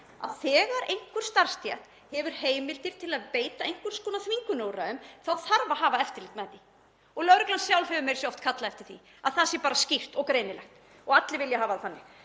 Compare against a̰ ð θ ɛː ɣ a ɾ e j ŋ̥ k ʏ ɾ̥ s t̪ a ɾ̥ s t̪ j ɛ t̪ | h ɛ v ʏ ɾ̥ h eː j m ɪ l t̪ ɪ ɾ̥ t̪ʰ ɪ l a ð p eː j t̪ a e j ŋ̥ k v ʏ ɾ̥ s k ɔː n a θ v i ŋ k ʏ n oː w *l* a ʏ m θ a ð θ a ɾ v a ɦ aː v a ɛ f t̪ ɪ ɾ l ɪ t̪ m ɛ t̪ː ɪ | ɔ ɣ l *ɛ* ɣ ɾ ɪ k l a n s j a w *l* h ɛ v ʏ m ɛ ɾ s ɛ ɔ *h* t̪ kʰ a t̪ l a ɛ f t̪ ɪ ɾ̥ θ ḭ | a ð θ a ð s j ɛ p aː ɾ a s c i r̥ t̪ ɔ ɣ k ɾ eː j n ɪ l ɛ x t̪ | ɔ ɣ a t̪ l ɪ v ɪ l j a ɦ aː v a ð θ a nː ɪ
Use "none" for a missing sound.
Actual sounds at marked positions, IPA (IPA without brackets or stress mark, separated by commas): ɾ, œ, l, f